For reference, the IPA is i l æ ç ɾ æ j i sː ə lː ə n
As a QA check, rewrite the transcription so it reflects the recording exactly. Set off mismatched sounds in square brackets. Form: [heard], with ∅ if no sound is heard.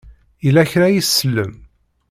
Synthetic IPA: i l æ ç ɾ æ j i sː ə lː ə [m]